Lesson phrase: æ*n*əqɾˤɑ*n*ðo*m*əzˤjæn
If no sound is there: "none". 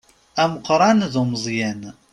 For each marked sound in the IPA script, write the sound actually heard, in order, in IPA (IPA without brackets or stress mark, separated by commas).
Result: m, n, m